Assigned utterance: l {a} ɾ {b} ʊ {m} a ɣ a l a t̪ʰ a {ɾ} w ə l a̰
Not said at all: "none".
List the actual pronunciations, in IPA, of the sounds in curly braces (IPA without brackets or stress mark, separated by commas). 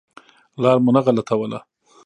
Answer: ɑ, m, n, none